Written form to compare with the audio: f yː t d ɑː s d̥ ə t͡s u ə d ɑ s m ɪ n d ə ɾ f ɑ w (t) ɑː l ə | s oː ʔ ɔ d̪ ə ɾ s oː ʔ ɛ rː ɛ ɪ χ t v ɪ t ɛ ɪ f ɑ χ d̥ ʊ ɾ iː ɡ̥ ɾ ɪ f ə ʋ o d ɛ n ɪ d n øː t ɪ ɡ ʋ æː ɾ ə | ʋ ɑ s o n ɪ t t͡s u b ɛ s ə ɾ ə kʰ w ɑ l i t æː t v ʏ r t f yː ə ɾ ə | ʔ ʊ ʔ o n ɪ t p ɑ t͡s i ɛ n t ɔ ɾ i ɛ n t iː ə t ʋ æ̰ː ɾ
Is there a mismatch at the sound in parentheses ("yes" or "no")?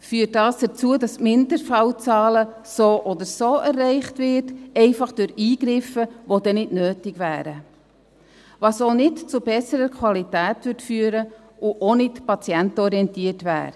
yes